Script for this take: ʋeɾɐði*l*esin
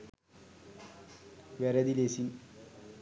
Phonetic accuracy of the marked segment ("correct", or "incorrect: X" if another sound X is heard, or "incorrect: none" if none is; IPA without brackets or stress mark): correct